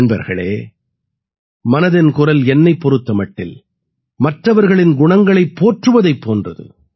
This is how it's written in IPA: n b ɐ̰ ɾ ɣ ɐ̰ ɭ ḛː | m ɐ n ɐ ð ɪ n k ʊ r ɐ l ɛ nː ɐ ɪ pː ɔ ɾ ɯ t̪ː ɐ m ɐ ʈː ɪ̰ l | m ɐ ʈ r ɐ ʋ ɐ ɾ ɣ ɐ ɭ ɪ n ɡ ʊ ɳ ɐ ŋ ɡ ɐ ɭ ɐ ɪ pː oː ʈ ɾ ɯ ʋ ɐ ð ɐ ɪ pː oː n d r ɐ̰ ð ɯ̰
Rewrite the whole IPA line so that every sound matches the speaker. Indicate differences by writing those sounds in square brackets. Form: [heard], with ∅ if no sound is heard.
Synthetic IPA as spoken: n b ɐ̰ ɾ ɣ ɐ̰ ɭ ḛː | m ɐ n ɐ ð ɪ n k ʊ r ɐ l ɛ nː ɐ ɪ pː ɔ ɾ ɯ t̪ː ɐ m ɐ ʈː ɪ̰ l | m ɐ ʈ r ɐ ʋ ɐ ɾ ɣ ɐ ɭ ɪ n ɡ ʊ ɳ ɐ ŋ ɡ ɐ ɭ ɐ ɪ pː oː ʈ [r] ɯ ʋ ɐ ð ɐ ɪ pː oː n d r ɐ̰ ð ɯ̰

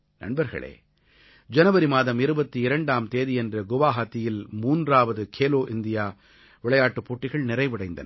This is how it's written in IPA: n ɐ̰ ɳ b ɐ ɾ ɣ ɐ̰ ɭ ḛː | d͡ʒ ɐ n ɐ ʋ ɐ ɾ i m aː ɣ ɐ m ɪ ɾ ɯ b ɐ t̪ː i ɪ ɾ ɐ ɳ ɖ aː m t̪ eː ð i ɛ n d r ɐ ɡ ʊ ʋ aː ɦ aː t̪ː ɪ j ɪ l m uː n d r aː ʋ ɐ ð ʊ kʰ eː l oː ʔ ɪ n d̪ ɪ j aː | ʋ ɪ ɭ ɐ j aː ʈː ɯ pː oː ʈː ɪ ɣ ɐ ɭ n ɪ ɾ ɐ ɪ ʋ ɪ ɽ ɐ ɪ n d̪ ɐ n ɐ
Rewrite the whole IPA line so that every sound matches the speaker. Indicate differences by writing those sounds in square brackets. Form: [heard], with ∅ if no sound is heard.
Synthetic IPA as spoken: n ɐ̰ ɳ b ɐ ɾ ɣ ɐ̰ ɭ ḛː | d͡ʒ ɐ n ɐ ʋ ɐ ɾ i m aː [ð] ɐ m ɪ ɾ ɯ b ɐ t̪ː i ɪ ɾ ɐ ɳ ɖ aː m t̪ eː ð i ɛ n d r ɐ ɡ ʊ ʋ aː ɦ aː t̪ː ɪ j ɪ l m uː n d r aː ʋ ɐ ð [ɯ] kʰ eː l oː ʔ ɪ n d̪ ɪ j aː | ʋ ɪ ɭ ɐ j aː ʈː ɯ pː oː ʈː ɪ ɣ ɐ ɭ n ɪ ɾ ɐ ɪ ʋ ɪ ɽ ɐ ɪ n d̪ ɐ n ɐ

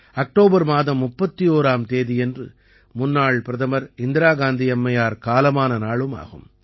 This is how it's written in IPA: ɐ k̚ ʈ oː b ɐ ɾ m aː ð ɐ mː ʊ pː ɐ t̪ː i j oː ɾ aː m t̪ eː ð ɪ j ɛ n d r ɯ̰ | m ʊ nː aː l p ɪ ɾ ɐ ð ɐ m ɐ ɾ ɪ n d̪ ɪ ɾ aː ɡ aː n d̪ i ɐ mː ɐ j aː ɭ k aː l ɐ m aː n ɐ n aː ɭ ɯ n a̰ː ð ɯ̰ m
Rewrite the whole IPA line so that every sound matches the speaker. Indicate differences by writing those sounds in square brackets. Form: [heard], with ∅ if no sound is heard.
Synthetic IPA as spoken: ɐ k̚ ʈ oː b ɐ ɾ m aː ð ɐ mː ʊ pː ɐ t̪ː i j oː ɾ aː m t̪ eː ð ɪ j ɛ n d r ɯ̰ | m ʊ nː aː [ɭ] p ɪ ɾ ɐ ð ɐ m ɐ ɾ ɪ n d̪ ɪ ɾ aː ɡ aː n d̪ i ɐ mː ɐ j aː [ɾ] k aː l ɐ m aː n ɐ n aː ɭ ɯ [m] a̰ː [ɣ] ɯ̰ m

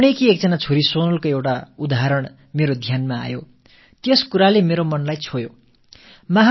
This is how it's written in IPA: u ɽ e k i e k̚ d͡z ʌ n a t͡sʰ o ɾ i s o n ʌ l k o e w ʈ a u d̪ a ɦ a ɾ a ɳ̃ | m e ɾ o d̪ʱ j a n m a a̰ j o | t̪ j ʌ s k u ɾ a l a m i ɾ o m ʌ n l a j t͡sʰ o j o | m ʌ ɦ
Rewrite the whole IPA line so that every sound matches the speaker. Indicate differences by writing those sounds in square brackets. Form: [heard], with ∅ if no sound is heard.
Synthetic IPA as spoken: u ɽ e k i e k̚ d͡z ʌ n a t͡sʰ o ɾ i s o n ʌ l k o e w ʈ a u d̪ a ɦ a ɾ [ʌ] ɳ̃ | m e ɾ o d̪ʱ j a n m a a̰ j o | t̪ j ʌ s k u ɾ a l [e] m [e] ɾ o m ʌ n l a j t͡sʰ o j o | m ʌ ɦ

